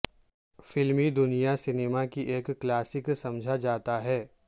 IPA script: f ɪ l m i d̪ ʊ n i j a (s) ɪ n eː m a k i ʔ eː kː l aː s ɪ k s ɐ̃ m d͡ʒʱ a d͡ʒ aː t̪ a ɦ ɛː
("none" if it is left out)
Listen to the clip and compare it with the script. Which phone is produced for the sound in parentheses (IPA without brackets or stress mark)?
s